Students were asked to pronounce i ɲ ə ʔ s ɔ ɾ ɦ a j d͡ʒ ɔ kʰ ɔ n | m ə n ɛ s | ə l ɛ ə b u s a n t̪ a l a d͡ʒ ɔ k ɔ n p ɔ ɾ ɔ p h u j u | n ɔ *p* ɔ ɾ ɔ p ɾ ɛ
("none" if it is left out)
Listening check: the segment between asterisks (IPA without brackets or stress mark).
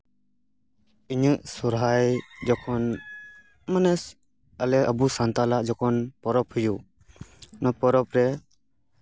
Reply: p